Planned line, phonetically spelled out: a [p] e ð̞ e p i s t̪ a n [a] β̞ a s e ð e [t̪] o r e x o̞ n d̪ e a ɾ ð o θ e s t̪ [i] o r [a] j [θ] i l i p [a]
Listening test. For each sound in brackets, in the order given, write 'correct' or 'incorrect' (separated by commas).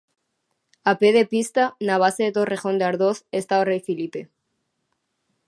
correct, correct, correct, incorrect, incorrect, incorrect, incorrect